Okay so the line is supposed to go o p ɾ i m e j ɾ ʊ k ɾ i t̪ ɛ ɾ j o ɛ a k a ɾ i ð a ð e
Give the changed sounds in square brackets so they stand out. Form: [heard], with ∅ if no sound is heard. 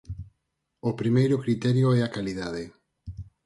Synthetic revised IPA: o p ɾ i m e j ɾ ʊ k ɾ i t̪ ɛ ɾ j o ɛ a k a [l] i ð a ð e